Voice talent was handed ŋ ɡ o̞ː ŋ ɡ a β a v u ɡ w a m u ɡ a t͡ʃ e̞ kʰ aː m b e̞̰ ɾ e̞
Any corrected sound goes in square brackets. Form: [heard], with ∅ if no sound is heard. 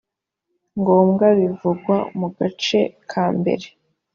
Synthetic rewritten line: ŋ ɡ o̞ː [m] ɡ a β [i] v u ɡ w a m u ɡ a t͡ʃ e̞ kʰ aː m b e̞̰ ɾ e̞